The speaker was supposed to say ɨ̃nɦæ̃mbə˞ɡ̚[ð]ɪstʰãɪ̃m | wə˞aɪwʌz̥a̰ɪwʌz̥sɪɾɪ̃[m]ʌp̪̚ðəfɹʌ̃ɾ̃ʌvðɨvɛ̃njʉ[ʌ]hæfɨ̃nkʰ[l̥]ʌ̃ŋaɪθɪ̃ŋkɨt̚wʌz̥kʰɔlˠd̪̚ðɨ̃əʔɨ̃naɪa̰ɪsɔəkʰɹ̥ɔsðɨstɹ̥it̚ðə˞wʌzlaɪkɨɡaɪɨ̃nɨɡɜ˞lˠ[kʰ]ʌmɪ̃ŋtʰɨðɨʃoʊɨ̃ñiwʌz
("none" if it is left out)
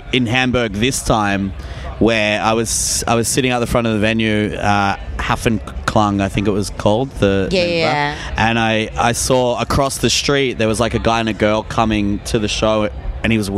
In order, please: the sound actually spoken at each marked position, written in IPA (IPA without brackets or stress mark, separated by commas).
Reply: ð, ŋ, ʌ, l̥, kʰ